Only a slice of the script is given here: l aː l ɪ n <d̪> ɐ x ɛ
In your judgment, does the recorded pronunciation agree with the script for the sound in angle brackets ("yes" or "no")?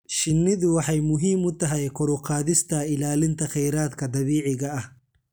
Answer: no